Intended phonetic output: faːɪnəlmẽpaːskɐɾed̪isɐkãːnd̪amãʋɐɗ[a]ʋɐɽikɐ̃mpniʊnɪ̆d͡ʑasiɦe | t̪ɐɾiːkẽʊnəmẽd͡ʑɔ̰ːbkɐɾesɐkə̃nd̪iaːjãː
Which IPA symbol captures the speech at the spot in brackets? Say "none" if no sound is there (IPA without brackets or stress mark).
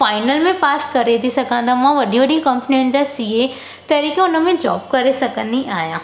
i